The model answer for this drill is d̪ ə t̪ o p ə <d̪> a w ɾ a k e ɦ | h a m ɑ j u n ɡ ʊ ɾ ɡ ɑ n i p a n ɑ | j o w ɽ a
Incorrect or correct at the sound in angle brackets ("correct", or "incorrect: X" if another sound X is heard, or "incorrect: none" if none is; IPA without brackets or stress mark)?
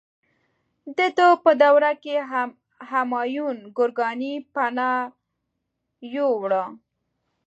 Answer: correct